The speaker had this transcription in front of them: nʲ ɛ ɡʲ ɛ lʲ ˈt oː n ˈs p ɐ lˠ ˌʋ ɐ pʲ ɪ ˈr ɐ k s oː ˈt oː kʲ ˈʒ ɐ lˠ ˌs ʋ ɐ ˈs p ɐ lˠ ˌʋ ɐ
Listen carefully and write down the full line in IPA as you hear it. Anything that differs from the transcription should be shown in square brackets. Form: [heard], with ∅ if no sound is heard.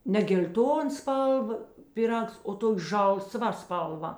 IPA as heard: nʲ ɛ ɡʲ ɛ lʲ ˈt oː n ˈs p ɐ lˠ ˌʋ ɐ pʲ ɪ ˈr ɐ k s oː ˈt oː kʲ ˈʒ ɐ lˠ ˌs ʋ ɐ ˈs p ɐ lˠ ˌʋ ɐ